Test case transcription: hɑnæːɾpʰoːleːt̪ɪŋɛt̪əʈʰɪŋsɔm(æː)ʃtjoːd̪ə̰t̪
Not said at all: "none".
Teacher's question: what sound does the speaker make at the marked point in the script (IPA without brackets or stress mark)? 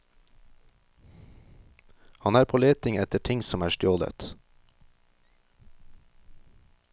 æː